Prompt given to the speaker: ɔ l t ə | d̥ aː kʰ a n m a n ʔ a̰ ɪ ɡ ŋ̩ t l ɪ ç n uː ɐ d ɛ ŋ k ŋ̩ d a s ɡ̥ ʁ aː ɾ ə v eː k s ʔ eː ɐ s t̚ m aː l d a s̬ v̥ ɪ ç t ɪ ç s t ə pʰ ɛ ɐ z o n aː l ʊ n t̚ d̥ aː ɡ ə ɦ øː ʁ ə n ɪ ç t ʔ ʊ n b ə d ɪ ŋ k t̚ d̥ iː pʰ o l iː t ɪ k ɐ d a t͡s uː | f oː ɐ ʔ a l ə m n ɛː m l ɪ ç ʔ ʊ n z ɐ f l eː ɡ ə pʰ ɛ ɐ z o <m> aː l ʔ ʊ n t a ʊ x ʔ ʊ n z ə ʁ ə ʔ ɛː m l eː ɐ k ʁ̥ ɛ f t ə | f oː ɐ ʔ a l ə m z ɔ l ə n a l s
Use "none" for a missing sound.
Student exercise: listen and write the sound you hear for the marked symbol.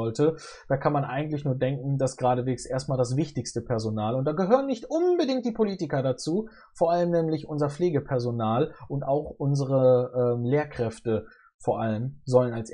n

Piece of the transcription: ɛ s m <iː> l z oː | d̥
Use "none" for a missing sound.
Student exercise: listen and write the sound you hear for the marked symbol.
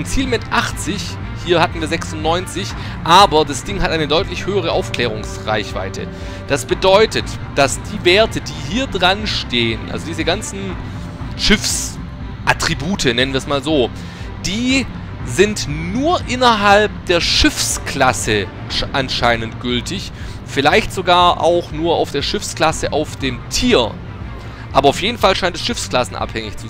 aː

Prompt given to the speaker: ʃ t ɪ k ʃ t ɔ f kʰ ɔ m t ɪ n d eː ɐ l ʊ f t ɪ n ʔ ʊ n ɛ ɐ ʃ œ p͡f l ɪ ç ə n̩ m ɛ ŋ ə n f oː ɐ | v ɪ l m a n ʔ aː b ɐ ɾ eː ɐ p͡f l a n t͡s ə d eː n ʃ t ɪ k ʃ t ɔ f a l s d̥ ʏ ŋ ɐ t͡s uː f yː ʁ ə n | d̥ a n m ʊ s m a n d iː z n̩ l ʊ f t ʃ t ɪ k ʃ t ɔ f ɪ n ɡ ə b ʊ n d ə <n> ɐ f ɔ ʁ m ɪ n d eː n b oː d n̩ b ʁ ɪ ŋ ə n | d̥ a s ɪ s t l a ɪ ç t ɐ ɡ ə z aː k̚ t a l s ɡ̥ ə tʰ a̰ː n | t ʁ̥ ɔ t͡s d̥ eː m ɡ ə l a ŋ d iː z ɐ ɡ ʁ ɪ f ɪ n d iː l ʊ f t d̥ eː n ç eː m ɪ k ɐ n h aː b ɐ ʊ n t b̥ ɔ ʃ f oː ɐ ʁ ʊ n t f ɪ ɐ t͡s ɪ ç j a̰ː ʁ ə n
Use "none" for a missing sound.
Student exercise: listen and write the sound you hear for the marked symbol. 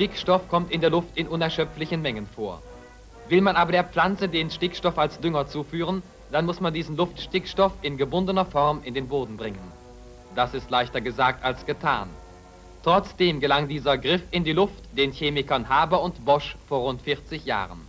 n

